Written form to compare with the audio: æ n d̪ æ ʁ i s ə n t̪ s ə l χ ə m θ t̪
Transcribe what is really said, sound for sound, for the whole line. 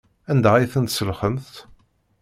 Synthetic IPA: æ n d̪ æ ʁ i θ ə n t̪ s ə l χ ə m θ t̪